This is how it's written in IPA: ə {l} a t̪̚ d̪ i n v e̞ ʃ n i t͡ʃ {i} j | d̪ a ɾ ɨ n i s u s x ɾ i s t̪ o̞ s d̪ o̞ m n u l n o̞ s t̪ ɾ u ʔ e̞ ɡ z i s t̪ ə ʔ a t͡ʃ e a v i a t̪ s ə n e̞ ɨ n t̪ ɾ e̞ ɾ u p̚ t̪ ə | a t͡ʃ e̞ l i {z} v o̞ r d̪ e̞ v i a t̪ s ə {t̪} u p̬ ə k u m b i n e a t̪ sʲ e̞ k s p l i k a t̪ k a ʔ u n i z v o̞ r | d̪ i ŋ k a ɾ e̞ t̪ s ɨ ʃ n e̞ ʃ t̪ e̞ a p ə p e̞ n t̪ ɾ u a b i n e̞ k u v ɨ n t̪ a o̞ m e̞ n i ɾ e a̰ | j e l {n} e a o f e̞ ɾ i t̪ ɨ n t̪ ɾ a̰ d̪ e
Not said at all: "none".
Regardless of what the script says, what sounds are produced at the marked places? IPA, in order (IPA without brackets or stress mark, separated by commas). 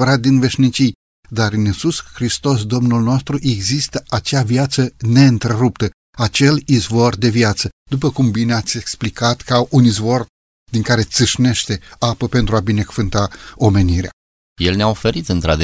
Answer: ɾ, i, z, d̪, n